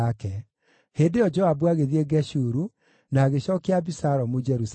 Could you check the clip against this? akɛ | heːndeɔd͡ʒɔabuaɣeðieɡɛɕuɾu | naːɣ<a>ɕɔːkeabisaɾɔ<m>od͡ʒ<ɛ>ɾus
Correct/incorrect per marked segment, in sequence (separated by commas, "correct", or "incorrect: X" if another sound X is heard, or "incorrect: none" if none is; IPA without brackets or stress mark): incorrect: e, correct, correct